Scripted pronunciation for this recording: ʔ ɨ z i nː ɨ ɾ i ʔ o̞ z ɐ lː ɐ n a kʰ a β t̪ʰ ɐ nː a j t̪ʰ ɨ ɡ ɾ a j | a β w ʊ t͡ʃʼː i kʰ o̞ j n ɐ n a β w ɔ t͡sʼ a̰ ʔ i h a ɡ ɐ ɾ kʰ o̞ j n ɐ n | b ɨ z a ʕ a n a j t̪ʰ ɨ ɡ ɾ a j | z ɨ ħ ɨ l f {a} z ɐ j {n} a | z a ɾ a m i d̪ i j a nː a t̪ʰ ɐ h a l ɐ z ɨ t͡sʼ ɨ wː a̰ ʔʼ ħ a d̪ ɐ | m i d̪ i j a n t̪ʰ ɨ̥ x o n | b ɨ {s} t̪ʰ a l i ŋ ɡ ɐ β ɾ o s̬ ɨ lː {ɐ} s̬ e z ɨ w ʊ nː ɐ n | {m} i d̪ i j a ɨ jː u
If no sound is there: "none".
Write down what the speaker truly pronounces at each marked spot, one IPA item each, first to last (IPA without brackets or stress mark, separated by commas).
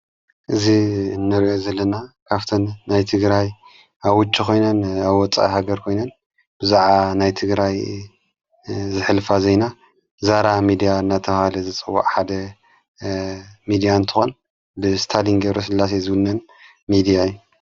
a, n, s, a, m